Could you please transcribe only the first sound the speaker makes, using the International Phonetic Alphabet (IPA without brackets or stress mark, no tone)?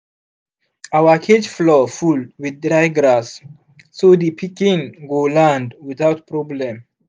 a